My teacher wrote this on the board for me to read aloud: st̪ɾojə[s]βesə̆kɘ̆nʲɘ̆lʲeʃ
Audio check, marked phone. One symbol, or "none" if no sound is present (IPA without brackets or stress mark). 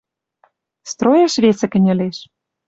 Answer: ʃ